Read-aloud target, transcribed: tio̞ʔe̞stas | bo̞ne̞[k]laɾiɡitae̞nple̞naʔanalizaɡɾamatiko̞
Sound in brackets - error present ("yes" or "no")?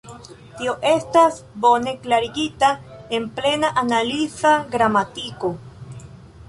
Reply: no